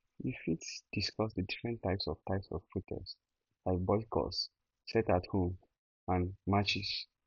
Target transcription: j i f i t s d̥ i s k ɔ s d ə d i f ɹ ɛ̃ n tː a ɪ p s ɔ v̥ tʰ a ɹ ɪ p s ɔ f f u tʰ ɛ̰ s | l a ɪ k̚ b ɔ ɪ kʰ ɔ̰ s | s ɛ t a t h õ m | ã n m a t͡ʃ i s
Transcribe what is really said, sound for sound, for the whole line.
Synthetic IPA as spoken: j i f i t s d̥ i s k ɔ s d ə d i f ɹ ɛ̃ n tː a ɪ p s ɔ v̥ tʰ a ɪ p s ɔ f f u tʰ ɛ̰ s | l a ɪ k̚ b ɔ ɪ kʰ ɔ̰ s | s ɛ t a t h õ m | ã n m a t͡ʃ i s